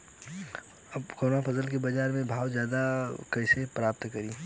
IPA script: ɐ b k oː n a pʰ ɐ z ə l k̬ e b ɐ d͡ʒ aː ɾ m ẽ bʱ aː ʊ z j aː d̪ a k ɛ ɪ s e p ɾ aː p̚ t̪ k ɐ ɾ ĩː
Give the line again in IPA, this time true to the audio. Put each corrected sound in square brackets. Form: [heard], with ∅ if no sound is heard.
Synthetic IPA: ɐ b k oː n a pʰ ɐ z ə l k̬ e b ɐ d͡ʒ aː ɾ m ẽ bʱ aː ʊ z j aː d̪ a k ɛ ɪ s e p ɾ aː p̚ t̪ k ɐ ɾ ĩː